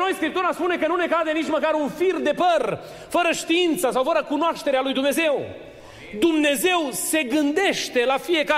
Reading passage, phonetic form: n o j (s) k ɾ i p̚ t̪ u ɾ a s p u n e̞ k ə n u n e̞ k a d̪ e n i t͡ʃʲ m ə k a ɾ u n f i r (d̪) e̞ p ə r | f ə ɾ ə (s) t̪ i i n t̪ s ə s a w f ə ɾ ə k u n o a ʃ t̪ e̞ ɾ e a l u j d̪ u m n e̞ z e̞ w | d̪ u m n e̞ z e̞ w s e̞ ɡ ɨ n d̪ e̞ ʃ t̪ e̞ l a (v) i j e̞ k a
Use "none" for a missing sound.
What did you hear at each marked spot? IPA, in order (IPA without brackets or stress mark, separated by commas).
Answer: s, d̪, ʃ, f